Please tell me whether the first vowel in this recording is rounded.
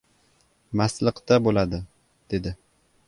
no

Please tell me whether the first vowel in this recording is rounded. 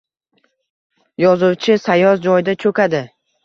yes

